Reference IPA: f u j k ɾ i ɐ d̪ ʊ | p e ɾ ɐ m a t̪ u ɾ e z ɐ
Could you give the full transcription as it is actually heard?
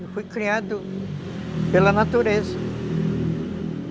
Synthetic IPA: f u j k ɾ i a d̪ ʊ | p e l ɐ n a t̪ u ɾ e z ɐ